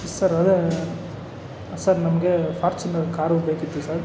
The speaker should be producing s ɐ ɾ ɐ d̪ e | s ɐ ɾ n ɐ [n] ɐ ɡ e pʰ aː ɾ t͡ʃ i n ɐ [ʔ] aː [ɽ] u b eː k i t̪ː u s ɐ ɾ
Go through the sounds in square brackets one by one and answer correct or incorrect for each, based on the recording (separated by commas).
incorrect, incorrect, incorrect